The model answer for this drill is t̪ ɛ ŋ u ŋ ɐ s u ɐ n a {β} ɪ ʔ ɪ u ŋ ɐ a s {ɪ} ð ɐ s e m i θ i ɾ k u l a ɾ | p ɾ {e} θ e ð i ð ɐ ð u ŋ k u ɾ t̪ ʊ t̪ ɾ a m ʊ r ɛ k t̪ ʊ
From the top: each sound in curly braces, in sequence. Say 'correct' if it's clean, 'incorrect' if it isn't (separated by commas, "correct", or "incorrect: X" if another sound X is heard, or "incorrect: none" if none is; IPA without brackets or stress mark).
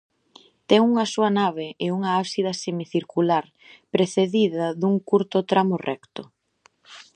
correct, incorrect: i, correct